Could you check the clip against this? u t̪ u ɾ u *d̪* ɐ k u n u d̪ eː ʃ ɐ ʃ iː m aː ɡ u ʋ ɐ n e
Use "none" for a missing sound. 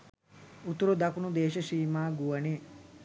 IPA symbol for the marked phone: d̪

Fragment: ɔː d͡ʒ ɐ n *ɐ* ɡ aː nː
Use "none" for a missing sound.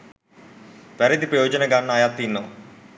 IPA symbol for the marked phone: ɐ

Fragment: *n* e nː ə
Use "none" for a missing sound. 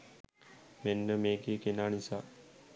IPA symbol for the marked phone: m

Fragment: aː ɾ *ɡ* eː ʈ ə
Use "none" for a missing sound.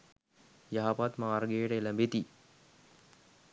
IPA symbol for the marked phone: ɡ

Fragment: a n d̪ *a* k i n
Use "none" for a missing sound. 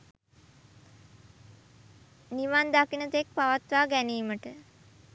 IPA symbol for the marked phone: a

